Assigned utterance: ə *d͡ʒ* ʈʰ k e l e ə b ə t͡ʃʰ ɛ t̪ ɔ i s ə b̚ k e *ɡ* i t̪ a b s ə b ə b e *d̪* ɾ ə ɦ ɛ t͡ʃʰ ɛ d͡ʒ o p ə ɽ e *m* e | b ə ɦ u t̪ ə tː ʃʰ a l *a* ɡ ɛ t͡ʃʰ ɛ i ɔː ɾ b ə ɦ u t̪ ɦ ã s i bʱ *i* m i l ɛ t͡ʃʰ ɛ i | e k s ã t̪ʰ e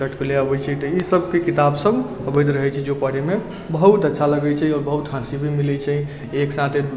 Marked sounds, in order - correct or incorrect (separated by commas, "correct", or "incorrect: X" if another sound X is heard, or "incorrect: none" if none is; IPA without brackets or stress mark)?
incorrect: none, incorrect: k, correct, correct, incorrect: ə, correct